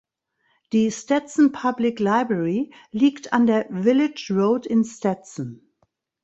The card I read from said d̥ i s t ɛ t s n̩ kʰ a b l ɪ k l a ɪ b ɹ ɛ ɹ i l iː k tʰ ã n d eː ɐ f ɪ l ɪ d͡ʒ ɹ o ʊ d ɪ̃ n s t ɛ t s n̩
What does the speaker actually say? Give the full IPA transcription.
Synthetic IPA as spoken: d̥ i s t ɛ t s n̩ pʰ a b l ɪ k l a ɪ b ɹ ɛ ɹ i l iː k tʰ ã n d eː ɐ v ɪ l ɪ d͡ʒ ɹ o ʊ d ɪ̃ n s t ɛ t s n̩